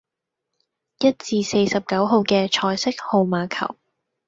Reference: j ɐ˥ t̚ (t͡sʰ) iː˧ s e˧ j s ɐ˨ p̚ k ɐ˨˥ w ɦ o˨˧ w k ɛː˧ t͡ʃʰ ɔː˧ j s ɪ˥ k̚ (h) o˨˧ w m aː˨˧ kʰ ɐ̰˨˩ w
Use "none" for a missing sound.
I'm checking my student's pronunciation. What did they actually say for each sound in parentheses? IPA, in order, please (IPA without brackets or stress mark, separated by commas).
t͡s, h